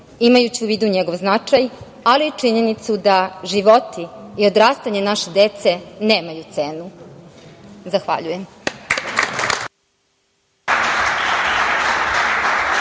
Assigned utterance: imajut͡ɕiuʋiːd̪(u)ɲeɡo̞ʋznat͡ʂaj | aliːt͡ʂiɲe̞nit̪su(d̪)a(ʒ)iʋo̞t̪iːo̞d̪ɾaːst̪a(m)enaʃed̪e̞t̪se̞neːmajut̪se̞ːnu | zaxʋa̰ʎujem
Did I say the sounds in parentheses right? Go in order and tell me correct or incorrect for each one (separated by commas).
correct, correct, correct, incorrect